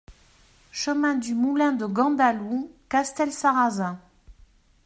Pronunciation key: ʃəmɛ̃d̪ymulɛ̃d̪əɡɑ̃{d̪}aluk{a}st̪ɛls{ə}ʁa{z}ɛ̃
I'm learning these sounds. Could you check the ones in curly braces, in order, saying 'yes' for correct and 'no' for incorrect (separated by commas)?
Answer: yes, yes, no, yes